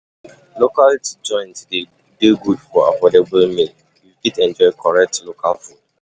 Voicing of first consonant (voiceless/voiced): voiced